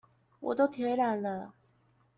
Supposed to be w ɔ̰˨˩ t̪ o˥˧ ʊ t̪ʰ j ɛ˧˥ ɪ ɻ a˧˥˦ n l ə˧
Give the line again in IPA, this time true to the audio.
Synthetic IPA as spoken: w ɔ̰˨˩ t̪ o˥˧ ʊ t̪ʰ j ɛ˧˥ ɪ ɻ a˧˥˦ n l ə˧